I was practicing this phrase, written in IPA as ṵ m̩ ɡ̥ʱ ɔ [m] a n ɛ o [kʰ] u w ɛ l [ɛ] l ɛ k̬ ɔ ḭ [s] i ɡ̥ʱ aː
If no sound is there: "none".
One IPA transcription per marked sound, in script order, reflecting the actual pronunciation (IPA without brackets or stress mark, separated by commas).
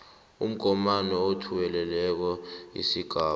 m, tʰ, ɛ, s